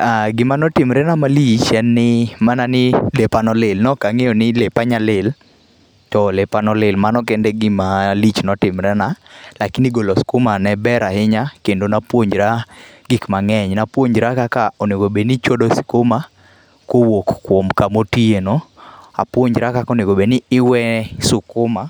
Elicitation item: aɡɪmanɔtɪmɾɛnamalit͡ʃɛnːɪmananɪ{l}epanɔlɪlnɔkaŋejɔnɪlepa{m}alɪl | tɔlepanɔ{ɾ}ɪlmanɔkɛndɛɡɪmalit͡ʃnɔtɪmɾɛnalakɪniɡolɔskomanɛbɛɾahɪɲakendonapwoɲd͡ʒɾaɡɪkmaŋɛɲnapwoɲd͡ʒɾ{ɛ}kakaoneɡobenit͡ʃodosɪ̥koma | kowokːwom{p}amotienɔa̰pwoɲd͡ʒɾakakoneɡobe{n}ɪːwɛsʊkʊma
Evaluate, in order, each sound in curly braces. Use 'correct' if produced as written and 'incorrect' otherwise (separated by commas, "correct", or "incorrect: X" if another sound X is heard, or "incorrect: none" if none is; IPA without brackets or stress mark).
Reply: correct, incorrect: ɲ, incorrect: l, incorrect: a, incorrect: k, correct